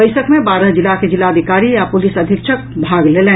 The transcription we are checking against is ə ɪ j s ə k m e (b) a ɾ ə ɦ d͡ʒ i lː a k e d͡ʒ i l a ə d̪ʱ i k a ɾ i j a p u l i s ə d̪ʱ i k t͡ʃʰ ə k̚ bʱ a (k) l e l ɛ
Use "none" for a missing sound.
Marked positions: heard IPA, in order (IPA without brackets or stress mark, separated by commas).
b, ɡ